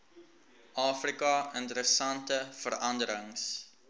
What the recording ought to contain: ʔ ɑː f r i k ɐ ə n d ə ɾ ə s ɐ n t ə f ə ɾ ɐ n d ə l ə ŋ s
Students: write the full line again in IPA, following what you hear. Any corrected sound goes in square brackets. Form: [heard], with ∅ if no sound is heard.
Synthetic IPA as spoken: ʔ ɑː f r i k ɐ ə n [t] ə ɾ ə s ɐ n t ə f ə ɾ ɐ n d ə [ɾ] ə ŋ s